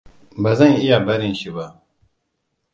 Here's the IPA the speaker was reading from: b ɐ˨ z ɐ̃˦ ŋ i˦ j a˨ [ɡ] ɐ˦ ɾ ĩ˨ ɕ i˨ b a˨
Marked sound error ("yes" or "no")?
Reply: yes